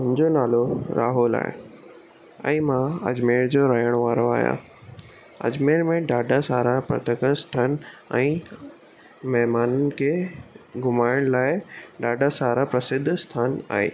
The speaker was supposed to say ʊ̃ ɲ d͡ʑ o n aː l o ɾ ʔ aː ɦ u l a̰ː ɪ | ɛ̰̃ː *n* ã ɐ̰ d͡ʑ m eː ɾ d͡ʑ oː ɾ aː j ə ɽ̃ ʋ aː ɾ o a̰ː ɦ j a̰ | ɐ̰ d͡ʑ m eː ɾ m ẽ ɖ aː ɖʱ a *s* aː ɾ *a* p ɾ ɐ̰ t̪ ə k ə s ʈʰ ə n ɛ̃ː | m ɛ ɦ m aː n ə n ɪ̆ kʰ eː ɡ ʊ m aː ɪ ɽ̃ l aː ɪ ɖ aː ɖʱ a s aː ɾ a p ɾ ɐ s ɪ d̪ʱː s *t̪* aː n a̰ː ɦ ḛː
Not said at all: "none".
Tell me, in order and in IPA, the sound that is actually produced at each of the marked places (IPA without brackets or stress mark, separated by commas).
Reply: m, s, a, t̪ʰ